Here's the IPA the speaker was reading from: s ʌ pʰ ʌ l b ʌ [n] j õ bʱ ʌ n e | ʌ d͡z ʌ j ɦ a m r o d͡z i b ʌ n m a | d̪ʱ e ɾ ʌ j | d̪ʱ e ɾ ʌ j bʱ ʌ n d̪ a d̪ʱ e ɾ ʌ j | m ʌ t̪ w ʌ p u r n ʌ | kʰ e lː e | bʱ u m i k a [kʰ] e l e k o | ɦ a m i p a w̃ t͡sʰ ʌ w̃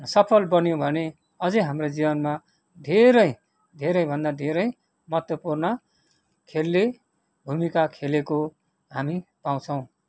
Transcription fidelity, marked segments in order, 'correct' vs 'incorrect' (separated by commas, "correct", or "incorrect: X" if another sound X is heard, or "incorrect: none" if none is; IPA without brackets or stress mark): correct, correct